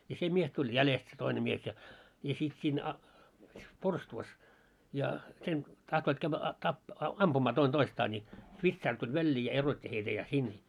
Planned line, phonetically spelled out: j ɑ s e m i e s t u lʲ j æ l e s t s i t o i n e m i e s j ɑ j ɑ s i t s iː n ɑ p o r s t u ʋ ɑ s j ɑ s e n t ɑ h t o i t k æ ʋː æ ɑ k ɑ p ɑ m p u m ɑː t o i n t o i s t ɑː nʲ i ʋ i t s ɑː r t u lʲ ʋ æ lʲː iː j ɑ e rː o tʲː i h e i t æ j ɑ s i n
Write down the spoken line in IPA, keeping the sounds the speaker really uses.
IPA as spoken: j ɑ s e m i e s t u lʲ j æ l e s t s e t o i n e m i e s j ɑ j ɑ s i t s iː n ɑ p o r s t u ʋ ɑ s j ɑ s e n t ɑ h t o i t k æ ʋː æ ɑ t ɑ p ɑ m p u m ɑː t o i n t o i s t ɑː nʲ i ʋ i t s ɑː r t u lʲ ʋ æ lʲː iː j ɑ e r o tʲː i h e i t æ j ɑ s i n